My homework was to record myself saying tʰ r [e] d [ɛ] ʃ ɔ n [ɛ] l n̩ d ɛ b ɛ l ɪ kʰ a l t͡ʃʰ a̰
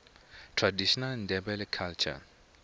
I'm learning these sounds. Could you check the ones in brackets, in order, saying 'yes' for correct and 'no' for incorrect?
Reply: no, no, no

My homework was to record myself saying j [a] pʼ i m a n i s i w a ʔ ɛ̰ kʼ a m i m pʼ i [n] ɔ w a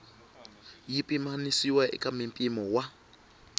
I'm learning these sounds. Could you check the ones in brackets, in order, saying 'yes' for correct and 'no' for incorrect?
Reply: no, no

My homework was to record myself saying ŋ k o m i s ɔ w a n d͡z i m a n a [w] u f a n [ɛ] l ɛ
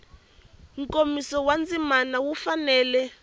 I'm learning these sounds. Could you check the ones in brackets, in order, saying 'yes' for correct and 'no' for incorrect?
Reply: yes, no

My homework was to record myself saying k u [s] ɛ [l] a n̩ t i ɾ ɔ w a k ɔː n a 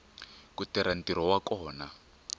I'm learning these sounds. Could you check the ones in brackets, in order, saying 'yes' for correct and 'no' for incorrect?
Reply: no, no

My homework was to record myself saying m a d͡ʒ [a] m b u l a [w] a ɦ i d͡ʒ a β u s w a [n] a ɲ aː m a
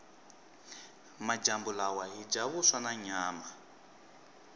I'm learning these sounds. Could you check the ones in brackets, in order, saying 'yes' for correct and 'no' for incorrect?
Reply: yes, yes, yes

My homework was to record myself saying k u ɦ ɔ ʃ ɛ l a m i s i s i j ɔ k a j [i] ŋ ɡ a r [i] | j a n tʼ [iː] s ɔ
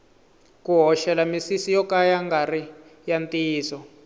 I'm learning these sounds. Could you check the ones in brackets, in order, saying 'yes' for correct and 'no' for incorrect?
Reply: no, yes, yes

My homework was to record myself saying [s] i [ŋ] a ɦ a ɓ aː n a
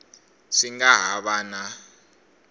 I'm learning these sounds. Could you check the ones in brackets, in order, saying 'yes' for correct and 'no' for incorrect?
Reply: yes, yes

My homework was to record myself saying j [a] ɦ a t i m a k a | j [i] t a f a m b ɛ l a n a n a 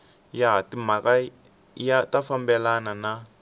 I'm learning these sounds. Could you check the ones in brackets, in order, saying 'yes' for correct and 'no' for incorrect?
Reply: yes, no

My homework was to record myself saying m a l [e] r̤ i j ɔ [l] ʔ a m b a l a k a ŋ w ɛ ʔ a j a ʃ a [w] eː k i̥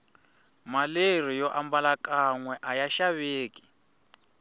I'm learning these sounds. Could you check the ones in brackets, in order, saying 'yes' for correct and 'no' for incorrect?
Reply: yes, no, no

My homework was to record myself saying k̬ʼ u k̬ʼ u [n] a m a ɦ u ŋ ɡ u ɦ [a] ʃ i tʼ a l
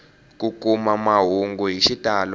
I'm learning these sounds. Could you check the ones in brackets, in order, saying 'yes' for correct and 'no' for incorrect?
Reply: no, no

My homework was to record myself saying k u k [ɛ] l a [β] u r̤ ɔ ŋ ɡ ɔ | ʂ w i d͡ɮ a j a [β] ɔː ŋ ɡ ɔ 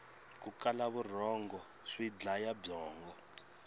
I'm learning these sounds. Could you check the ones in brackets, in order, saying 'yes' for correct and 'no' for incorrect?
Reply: no, yes, no

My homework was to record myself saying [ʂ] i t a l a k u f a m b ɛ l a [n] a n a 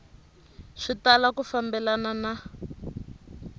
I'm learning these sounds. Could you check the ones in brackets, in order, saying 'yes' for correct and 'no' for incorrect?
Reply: yes, yes

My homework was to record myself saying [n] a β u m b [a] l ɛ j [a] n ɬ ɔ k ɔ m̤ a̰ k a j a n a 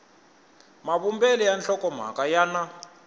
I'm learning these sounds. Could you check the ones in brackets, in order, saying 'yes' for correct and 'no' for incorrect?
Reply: no, no, yes

